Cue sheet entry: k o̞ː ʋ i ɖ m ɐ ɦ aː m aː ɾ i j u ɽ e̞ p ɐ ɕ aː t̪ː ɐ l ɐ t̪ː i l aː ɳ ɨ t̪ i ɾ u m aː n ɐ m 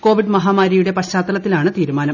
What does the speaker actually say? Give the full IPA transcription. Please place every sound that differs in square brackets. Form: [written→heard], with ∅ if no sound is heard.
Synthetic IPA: k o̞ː ʋ i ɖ m ɐ ɦ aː m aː ɾ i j u ɽ e̞ p ɐ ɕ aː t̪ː ɐ l ɐ t̪ː i l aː ɳ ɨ t̪ [i→iː] ɾ u m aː n ɐ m

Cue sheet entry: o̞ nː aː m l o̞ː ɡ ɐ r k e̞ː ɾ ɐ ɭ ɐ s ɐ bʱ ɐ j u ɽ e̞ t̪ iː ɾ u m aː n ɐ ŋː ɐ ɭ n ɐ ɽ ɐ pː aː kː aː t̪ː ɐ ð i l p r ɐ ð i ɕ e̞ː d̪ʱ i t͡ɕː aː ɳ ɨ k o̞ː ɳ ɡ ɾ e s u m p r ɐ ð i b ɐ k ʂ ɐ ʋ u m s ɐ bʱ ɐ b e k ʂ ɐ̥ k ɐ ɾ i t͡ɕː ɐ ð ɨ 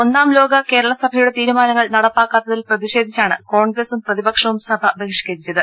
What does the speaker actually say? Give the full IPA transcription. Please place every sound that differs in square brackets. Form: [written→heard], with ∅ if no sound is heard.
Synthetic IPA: o̞ nː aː m l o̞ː ɡ ɐ [r→∅] k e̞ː ɾ ɐ ɭ ɐ s ɐ bʱ ɐ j u ɽ e̞ t̪ iː ɾ u m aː n ɐ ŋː ɐ ɭ n ɐ ɽ ɐ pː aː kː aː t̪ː ɐ ð i l p r ɐ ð i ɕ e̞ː d̪ʱ i t͡ɕː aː ɳ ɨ k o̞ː ɳ ɡ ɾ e s u m p r ɐ ð i b ɐ k ʂ ɐ ʋ u m s ɐ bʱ ɐ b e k ʂ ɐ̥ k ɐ ɾ i t͡ɕː ɐ ð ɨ

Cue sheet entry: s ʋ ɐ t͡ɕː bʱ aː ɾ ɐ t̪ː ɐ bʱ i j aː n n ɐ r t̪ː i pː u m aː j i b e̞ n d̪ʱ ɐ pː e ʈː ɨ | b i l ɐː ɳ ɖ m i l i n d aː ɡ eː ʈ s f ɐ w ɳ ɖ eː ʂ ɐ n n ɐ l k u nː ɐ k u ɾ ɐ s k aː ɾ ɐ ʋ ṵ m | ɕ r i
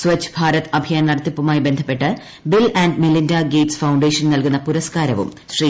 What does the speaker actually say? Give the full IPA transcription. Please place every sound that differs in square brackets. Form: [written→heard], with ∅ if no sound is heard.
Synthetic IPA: s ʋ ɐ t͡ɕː bʱ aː ɾ ɐ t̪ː ɐ bʱ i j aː n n ɐ r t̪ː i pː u m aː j i b e̞ n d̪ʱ ɐ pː e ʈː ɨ | b i l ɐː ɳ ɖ m i l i n d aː ɡ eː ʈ s f ɐ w ɳ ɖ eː ʂ ɐ n n ɐ l k u nː ɐ [k→p] u ɾ ɐ s k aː ɾ ɐ ʋ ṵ m | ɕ r i

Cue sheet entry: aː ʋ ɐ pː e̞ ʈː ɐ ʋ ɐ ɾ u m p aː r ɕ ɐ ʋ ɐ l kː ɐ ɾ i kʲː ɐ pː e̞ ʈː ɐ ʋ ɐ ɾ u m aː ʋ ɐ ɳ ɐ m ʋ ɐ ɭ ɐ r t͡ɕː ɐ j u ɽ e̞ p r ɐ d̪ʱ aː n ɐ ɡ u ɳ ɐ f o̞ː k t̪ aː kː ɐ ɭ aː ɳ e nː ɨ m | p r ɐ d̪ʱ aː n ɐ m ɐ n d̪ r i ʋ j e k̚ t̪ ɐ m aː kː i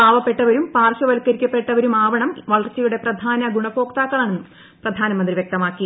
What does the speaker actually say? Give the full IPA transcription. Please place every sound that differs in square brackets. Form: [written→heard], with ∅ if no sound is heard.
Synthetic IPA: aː ʋ ɐ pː e̞ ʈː ɐ ʋ ɐ ɾ u m p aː r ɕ ɐ ʋ ɐ l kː ɐ ɾ i kʲː ɐ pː e̞ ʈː ɐ ʋ ɐ ɾ u m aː ʋ ɐ ɳ ɐ m ʋ ɐ ɭ ɐ r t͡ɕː ɐ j u ɽ e̞ p r ɐ d̪ʱ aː n ɐ ɡ u ɳ ɐ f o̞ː k t̪ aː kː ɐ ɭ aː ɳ e nː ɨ m | p r ɐ d̪ʱ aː n ɐ m ɐ n d̪ r i ʋ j e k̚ t̪ ɐ m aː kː i

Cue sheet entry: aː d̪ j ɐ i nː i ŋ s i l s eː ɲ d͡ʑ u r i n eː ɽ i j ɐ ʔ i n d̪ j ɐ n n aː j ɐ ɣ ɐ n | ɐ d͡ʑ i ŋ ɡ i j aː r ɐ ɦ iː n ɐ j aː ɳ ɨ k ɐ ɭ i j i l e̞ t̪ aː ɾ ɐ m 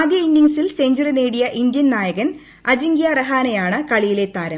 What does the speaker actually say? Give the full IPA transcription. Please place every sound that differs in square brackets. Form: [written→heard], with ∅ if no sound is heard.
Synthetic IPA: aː d̪ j ɐ i nː i ŋ s i l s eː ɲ d͡ʑ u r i n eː ɽ i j ɐ ʔ i n d̪ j ɐ n n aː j ɐ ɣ ɐ n | ɐ d͡ʑ i ŋ ɡ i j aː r ɐ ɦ [iː→aː] n ɐ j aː ɳ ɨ k ɐ ɭ i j i l e̞ t̪ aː ɾ ɐ m

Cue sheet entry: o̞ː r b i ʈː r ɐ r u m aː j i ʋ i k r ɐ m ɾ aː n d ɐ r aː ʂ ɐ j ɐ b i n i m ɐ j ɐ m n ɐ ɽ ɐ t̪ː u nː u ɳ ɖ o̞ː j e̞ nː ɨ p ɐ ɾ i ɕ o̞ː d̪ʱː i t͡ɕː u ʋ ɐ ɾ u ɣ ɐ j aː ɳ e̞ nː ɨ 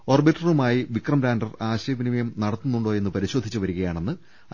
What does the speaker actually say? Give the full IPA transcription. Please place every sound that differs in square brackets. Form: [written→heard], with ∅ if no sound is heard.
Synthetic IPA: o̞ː r b i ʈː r ɐ r u m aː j i ʋ i k r ɐ m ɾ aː n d ɐ r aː [ʂ→ɕ] ɐ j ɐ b i n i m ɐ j ɐ m n ɐ ɽ ɐ t̪ː u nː u ɳ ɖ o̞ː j e̞ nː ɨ p ɐ ɾ i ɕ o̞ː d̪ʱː i t͡ɕː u ʋ ɐ ɾ u ɣ ɐ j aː ɳ e̞ nː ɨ

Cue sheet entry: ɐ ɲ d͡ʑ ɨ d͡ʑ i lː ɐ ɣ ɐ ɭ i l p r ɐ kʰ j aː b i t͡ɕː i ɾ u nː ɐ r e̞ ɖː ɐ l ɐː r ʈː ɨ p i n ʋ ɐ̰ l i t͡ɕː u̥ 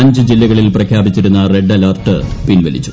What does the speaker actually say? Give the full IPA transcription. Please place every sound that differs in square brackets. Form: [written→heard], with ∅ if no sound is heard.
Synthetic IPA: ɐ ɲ d͡ʑ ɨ d͡ʑ i lː ɐ ɣ ɐ ɭ i l p r ɐ kʰ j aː b i t͡ɕː i ɾ u nː ɐ r e̞ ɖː ɐ l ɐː r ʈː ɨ p i n ʋ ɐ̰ l i t͡ɕː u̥

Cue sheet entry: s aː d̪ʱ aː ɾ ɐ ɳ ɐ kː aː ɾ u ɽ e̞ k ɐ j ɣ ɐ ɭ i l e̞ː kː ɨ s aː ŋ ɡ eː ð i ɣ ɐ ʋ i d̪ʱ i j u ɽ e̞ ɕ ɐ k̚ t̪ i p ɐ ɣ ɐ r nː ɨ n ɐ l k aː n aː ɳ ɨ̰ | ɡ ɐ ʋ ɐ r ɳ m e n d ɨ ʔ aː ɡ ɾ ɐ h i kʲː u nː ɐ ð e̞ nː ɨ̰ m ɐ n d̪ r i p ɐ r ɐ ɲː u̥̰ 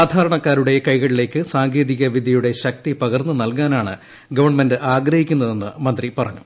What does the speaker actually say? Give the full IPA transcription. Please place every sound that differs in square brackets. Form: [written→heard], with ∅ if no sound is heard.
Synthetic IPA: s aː d̪ʱ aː ɾ ɐ ɳ ɐ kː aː ɾ u ɽ e̞ k ɐ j ɣ ɐ ɭ i l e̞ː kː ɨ s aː ŋ ɡ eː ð i ɣ ɐ ʋ i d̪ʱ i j u ɽ e̞ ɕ ɐ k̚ t̪ i p ɐ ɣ ɐ r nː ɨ n ɐ l k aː n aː ɳ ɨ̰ | ɡ ɐ ʋ ɐ r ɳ m e n d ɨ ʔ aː ɡ ɾ ɐ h i kʲː u nː ɐ ð e̞ nː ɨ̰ m ɐ n d̪ r i p ɐ r ɐ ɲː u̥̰

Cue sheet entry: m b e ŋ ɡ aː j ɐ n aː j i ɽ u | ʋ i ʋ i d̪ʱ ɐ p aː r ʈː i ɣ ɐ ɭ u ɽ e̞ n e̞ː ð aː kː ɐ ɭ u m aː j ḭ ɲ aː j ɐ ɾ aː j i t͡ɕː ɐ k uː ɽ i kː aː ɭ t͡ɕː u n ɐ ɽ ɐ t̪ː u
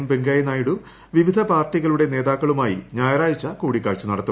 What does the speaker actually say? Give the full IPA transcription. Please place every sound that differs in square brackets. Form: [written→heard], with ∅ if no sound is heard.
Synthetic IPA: m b e ŋ ɡ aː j ɐ n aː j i ɽ u | ʋ i ʋ i d̪ʱ ɐ p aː r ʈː i ɣ ɐ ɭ u ɽ e̞ n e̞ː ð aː kː ɐ ɭ u m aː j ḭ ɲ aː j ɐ ɾ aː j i t͡ɕː ɐ k uː ɽ i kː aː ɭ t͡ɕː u n ɐ ɽ ɐ t̪ː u

